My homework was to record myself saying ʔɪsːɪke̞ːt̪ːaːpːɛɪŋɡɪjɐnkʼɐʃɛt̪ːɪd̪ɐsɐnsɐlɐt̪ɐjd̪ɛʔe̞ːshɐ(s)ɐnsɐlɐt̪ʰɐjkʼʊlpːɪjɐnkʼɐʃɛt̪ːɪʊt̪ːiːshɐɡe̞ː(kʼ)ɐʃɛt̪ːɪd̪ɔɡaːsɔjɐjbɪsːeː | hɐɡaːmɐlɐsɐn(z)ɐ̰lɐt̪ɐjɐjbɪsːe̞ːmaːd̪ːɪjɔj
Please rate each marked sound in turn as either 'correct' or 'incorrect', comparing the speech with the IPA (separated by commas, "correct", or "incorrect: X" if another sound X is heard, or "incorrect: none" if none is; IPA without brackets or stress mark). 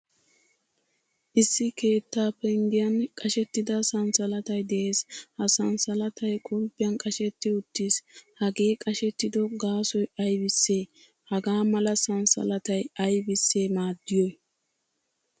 correct, correct, incorrect: s